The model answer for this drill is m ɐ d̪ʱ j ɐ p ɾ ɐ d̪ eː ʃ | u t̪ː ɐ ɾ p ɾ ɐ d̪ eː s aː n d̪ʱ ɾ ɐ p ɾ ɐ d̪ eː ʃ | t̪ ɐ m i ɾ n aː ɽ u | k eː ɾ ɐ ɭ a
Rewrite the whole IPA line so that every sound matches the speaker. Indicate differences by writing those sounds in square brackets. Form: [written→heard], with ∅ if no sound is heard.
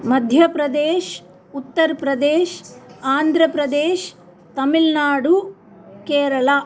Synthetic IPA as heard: m ɐ d̪ʱ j ɐ p ɾ ɐ d̪ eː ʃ | u t̪ː ɐ ɾ p ɾ ɐ d̪ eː [s→ʃ] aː n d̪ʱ ɾ ɐ p ɾ ɐ d̪ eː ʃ | t̪ ɐ m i [ɾ→l] n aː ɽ u | k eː ɾ ɐ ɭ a